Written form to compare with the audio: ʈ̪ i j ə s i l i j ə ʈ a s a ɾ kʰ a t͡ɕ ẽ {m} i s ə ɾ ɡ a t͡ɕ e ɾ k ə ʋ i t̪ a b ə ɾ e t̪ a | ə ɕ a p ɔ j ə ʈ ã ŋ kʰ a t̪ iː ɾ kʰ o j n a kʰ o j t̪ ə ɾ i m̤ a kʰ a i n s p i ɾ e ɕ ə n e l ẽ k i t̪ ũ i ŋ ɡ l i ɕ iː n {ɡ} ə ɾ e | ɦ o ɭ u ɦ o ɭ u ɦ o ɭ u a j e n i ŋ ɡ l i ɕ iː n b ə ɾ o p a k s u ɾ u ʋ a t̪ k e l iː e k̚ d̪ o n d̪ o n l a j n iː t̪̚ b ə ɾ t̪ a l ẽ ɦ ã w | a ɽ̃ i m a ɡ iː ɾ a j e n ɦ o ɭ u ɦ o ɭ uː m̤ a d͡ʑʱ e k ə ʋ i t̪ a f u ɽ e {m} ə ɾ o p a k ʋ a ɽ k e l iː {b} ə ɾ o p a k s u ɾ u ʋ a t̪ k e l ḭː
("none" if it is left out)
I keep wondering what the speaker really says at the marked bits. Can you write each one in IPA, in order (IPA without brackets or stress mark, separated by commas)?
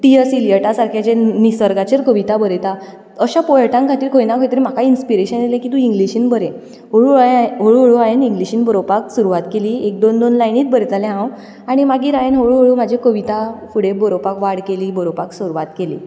n, b, b, b